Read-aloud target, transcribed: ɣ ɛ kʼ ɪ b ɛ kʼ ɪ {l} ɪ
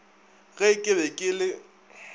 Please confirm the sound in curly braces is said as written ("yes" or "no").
yes